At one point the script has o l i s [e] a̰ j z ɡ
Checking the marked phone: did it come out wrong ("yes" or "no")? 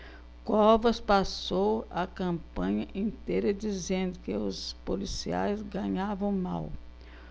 yes